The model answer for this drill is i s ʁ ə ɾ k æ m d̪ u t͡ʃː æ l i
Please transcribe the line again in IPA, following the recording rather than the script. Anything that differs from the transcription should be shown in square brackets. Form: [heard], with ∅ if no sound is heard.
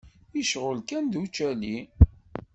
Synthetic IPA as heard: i [ʃ] ʁ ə [l] k æ [n] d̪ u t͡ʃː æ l i